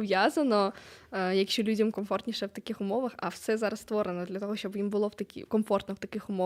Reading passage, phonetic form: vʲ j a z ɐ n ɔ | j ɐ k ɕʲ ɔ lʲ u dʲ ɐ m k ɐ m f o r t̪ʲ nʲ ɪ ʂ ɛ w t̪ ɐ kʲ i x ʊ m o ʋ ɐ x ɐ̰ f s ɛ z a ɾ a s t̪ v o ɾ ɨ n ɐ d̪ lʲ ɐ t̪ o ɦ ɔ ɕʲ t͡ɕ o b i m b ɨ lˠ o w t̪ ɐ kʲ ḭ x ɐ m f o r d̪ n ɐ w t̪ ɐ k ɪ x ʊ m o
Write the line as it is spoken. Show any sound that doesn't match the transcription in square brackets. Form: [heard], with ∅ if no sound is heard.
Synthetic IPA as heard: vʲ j a z ɐ n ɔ | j ɐ k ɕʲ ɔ lʲ u dʲ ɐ m k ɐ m f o r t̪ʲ nʲ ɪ ʂ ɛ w t̪ ɐ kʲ i x ʊ m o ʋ ɐ x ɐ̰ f s ɛ z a ɾ [ɐ] s t̪ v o ɾ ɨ n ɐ d̪ lʲ ɐ t̪ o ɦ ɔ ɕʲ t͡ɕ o b i m b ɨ lˠ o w t̪ ɐ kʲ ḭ [k] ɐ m f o r [t̪] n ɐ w t̪ ɐ k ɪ x ʊ m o